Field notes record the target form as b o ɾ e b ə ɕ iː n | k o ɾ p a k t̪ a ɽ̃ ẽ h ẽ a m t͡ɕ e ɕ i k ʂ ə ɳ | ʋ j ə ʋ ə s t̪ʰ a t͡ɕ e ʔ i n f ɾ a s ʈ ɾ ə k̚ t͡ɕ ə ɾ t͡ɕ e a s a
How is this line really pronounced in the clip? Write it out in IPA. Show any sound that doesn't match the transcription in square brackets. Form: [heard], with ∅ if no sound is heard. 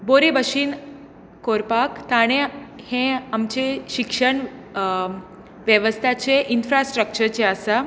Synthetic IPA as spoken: b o ɾ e b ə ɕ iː n | k o ɾ p a k t̪ a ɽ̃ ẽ h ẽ a m t͡ɕ e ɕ i k ʂ ə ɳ | ʋ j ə ʋ ə s t̪ʰ a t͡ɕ e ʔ i n f ɾ a s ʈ ɾ ə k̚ t͡ɕ ə ɾ t͡ɕ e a s a